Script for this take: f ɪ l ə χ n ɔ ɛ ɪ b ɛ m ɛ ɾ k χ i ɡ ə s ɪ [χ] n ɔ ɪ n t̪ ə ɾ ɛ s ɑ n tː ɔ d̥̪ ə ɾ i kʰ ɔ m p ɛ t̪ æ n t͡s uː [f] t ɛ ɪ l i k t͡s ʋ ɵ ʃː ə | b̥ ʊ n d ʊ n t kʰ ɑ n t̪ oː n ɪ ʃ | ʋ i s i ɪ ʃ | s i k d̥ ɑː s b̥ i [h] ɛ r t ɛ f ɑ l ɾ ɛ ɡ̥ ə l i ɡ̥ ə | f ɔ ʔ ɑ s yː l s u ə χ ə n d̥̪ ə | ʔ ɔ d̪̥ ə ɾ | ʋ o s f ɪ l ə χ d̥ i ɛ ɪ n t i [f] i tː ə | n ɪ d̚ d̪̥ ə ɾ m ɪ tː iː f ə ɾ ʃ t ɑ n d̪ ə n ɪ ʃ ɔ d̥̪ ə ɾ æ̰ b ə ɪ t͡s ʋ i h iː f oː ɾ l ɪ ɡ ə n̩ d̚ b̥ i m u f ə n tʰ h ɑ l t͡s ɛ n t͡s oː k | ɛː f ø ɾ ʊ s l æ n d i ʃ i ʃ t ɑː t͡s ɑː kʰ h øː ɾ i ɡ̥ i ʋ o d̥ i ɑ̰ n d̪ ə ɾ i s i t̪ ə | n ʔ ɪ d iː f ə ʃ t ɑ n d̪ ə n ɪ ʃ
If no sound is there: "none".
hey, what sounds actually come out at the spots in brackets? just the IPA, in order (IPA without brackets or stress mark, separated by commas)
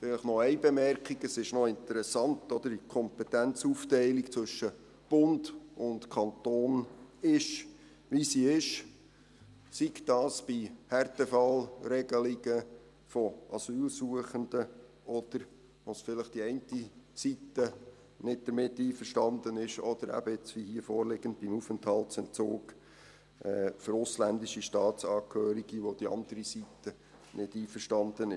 ʃ, f, h, s